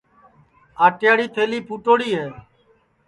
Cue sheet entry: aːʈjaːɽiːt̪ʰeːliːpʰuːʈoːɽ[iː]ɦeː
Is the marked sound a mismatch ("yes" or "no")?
no